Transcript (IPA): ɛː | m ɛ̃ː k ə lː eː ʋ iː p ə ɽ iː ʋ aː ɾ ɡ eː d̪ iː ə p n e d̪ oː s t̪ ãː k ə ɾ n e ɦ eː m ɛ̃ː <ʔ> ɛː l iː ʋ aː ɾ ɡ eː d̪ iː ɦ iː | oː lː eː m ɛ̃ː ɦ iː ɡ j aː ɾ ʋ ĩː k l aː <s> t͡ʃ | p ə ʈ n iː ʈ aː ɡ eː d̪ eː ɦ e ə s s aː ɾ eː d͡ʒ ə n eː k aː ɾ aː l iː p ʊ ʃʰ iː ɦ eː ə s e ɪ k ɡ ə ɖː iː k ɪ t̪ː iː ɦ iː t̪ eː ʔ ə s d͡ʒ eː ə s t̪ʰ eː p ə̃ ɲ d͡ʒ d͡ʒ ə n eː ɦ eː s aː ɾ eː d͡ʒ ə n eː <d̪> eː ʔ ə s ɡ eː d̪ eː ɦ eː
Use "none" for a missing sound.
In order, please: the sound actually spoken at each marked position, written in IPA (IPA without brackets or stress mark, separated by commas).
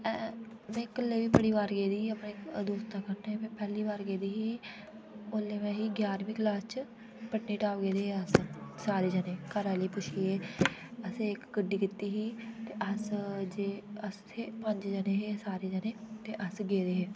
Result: p, s, t̪